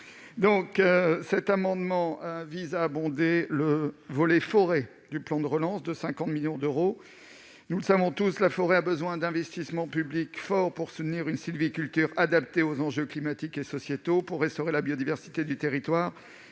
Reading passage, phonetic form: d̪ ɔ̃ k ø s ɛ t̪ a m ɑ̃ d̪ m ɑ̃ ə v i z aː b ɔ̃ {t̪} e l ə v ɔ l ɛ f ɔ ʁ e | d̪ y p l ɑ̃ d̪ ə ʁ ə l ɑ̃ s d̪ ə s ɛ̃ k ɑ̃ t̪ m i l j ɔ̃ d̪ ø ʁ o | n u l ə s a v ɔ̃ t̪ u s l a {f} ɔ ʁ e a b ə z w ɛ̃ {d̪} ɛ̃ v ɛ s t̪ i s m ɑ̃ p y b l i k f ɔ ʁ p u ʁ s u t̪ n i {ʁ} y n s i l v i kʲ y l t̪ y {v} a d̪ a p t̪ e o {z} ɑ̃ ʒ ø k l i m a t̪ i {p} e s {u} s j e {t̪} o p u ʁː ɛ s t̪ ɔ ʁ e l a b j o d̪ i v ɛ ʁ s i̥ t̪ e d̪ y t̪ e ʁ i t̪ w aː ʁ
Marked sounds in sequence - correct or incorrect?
incorrect: d̪, correct, correct, correct, incorrect: ʁ, correct, incorrect: k, incorrect: ɔ, correct

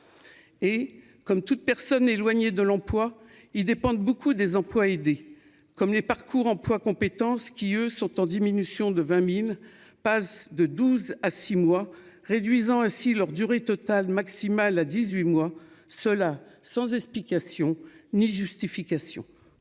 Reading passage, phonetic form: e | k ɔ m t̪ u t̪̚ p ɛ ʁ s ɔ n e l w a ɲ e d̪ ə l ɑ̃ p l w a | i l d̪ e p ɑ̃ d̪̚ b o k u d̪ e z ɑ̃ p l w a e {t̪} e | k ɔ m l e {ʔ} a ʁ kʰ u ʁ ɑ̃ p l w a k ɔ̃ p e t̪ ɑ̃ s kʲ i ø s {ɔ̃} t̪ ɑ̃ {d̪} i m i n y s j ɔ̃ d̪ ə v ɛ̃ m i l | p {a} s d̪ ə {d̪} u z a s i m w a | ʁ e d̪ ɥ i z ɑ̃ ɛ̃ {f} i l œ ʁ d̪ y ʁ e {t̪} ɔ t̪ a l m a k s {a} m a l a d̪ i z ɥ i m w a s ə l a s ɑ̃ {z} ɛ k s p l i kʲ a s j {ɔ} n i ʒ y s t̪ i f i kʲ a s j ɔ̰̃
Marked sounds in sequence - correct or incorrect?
incorrect: d̪, incorrect: p, correct, correct, correct, correct, incorrect: s, correct, incorrect: i, correct, incorrect: ɔ̃

